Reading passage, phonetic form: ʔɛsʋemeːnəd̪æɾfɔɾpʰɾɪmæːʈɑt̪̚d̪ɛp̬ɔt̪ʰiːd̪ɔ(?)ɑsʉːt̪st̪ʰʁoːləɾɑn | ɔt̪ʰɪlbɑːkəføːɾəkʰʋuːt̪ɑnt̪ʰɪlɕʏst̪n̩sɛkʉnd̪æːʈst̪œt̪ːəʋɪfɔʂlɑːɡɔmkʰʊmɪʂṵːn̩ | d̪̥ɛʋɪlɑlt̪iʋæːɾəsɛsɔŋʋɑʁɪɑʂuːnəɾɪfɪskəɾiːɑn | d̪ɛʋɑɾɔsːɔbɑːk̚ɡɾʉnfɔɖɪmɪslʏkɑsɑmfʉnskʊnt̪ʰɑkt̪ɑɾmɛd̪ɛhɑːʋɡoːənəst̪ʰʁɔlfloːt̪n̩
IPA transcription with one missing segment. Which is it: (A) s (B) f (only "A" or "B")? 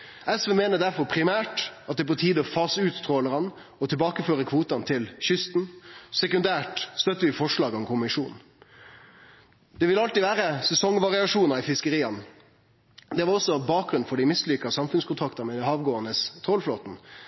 B